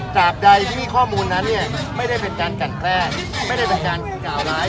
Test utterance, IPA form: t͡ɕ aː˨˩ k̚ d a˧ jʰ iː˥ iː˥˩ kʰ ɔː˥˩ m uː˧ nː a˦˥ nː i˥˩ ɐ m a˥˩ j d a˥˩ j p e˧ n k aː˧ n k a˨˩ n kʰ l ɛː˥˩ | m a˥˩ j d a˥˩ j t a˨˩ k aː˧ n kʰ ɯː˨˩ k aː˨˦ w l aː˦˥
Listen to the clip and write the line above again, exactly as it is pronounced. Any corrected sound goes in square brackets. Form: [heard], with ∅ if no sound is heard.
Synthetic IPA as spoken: t͡ɕ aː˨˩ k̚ d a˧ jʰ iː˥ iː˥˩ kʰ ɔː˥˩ m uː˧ nː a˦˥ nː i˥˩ ɐ m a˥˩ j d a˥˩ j p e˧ n k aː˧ n k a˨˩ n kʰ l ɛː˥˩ | m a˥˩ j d a˥˩ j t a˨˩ k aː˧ n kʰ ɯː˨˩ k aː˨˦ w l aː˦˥